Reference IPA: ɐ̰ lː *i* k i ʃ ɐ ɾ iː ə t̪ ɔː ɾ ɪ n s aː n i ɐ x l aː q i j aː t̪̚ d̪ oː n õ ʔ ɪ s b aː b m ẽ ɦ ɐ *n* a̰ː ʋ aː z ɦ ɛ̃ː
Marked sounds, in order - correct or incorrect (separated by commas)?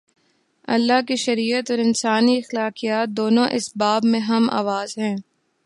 incorrect, incorrect